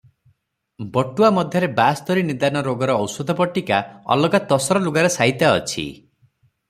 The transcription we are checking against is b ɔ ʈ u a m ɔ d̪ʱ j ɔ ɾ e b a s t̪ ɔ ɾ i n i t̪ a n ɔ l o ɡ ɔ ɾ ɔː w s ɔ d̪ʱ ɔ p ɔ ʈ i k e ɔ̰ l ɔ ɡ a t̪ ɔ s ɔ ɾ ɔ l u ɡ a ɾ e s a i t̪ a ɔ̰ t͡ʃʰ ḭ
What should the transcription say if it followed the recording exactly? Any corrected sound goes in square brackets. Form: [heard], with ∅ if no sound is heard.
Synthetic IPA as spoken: b ɔ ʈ u a m ɔ d̪ʱ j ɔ ɾ e b a s t̪ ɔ ɾ i n i [d̪] a n ɔ [ɾ] o ɡ ɔ ɾ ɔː w s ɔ d̪ʱ ɔ p ɔ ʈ i k [a] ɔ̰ l ɔ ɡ a t̪ ɔ s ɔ ɾ ɔ l u ɡ a ɾ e s a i t̪ a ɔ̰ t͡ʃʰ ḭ